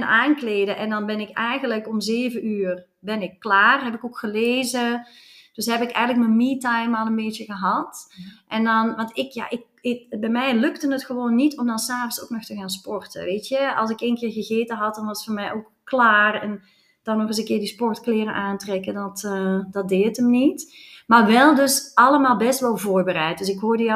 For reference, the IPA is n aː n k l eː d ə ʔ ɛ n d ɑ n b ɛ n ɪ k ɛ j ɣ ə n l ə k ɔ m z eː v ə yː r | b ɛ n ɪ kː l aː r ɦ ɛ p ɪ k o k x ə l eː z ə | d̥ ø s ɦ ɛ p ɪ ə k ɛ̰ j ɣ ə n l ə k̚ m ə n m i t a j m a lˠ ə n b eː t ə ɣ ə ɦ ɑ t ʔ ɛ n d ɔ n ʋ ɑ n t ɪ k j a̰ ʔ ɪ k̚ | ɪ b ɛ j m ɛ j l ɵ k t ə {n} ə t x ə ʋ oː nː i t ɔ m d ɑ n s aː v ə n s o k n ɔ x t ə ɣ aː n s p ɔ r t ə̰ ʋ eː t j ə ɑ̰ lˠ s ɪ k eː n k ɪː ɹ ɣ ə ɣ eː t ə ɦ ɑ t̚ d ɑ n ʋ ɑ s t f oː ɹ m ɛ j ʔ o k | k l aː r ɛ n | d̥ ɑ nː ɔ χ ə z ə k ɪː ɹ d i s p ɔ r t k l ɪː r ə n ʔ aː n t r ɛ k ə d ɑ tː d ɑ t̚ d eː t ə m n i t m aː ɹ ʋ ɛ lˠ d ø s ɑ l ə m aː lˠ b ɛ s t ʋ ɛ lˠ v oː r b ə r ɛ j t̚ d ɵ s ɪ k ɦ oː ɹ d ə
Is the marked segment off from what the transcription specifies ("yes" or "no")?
no